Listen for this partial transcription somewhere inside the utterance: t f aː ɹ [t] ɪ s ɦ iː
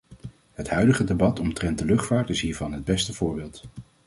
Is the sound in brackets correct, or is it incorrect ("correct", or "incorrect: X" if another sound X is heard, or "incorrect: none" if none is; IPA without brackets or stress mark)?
correct